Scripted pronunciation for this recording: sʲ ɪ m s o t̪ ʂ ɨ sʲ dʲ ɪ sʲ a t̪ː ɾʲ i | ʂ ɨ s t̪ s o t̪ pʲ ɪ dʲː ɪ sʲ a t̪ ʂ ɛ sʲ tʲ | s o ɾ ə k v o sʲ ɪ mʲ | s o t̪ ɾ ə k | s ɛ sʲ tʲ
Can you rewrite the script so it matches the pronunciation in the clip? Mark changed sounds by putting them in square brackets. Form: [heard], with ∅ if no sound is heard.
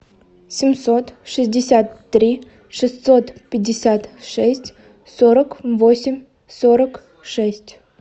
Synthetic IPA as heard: sʲ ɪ m s o t̪ ʂ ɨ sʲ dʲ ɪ sʲ a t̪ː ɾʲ i | ʂ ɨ s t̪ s o t̪ pʲ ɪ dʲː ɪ sʲ a t̪ ʂ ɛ sʲ tʲ | s o ɾ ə k v o sʲ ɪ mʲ | s o [∅] ɾ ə k | [ʂ] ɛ sʲ tʲ